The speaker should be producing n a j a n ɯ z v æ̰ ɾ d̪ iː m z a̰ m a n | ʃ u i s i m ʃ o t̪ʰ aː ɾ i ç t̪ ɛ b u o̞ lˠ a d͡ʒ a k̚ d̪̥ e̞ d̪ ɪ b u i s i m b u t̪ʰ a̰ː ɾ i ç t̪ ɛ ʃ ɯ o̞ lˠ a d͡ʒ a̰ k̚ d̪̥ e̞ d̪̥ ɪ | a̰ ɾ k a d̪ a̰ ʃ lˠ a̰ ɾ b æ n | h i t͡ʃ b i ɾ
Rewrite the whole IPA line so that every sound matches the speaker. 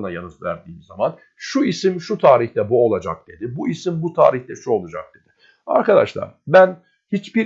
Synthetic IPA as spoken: n a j a n ɯ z v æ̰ ɾ d̪ iː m z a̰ m a n | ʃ u i s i m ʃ u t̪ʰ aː ɾ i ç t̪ ɛ b u o̞ lˠ a d͡ʒ a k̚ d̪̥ e̞ d̪ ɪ b u i s i m b u t̪ʰ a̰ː ɾ i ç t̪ ɛ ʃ u o̞ lˠ a d͡ʒ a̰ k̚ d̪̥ e̞ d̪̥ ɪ | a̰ ɾ k a d̪ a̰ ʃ lˠ a̰ ɾ b æ n | h i t͡ʃ b i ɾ